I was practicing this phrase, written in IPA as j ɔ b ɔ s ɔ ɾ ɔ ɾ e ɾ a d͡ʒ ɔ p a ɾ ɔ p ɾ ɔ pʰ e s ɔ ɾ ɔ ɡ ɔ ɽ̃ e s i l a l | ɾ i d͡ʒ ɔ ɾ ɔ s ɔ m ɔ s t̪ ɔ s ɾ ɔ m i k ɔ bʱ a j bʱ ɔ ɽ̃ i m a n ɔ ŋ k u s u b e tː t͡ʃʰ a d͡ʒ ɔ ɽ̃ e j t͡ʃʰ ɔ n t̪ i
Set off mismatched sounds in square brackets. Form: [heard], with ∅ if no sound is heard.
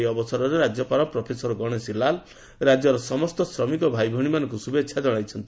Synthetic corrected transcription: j ɔ b ɔ s ɔ ɾ ɔ ɾ e ɾ a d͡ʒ ɔ p a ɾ ɔ p ɾ ɔ pʰ e s ɔ ɾ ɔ ɡ ɔ ɽ̃ e s i l a l | ɾ [a] d͡ʒ ɔ ɾ ɔ s ɔ m ɔ s t̪ ɔ s ɾ ɔ m i k ɔ bʱ a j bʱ ɔ ɽ̃ i m a n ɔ ŋ k u s u b e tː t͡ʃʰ a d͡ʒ ɔ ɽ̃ [a] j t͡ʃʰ ɔ n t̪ i